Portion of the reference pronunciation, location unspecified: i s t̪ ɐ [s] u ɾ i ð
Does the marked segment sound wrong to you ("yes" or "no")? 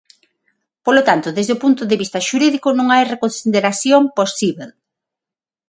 yes